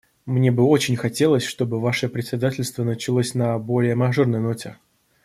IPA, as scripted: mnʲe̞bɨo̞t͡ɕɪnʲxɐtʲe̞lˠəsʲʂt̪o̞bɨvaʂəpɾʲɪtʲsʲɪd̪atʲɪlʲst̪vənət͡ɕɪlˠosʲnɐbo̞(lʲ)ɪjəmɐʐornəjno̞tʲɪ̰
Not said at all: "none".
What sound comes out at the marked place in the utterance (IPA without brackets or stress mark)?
lʲ